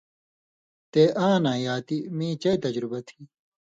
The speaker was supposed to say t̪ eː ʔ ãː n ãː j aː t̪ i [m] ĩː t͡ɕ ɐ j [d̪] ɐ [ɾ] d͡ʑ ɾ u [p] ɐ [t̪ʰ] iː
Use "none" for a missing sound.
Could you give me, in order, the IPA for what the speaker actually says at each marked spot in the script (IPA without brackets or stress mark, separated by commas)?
m, t̪, none, b, t̪ʰ